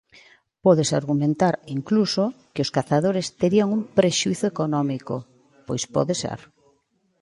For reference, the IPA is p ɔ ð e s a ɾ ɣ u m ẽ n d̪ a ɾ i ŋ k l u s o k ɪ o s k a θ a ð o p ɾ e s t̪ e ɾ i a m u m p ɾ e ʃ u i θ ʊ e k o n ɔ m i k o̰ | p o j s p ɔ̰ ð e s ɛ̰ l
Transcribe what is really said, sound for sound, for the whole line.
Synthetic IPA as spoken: p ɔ ð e s a ɾ ɣ u m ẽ n t̪ a ɾ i ŋ k l u s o k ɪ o s k a θ a ð o ɾ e s t̪ e ɾ i a ŋ u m p ɾ e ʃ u i θ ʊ e k o n ɔ m i k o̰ | p o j s p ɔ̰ ð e s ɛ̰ ɾ